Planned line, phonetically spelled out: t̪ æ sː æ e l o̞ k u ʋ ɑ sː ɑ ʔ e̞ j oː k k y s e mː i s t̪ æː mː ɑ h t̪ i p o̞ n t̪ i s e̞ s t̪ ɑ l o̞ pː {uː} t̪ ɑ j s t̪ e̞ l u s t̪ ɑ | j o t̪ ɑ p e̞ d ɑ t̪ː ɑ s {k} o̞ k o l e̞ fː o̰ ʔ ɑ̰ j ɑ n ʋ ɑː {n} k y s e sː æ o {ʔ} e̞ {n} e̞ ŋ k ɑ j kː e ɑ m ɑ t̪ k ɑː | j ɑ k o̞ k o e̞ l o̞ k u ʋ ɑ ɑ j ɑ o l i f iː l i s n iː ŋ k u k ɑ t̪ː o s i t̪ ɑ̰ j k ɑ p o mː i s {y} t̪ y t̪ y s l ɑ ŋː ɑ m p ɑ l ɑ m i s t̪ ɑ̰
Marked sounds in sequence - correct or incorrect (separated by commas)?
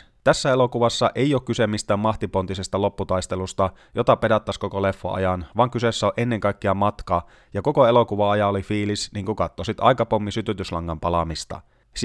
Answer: incorrect, correct, incorrect, correct, incorrect, correct